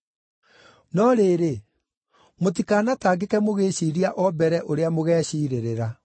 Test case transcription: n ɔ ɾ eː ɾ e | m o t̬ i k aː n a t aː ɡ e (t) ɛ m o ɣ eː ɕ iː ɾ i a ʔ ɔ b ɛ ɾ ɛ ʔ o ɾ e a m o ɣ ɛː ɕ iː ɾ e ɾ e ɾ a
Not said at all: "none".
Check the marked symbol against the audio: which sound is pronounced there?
k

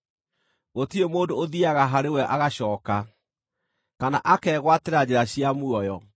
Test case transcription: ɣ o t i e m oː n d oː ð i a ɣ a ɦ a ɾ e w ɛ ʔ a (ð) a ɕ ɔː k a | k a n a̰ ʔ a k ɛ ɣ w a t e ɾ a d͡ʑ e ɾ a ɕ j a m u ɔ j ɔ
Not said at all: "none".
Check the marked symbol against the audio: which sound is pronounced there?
ɣ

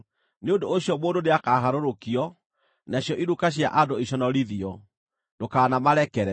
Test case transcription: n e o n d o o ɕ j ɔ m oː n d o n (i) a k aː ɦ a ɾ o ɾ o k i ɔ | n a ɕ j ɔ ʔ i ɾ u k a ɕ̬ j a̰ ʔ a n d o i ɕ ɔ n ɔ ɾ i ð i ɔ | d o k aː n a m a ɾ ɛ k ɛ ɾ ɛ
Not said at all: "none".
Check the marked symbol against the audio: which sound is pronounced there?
e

